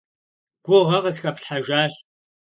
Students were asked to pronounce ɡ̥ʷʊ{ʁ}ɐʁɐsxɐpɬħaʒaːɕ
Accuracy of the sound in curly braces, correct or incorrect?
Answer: correct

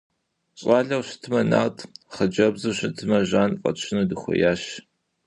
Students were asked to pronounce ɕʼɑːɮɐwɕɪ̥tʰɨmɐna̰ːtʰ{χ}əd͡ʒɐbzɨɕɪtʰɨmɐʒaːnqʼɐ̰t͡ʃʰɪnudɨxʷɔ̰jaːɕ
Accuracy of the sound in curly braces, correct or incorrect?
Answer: correct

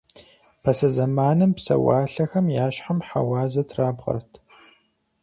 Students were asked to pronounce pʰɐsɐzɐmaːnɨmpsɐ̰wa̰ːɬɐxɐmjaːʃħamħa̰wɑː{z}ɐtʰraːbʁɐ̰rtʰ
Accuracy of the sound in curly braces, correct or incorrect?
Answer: correct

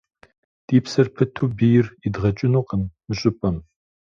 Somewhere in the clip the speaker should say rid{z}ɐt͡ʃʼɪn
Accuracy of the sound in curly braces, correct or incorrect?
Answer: incorrect: ʁ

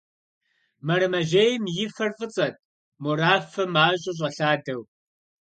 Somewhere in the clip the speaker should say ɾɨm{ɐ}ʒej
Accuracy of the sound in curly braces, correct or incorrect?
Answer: correct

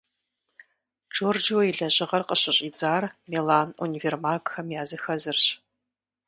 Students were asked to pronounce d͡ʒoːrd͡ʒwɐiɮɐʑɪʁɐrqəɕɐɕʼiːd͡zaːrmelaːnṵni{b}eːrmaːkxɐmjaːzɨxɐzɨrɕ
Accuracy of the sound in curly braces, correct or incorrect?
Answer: incorrect: v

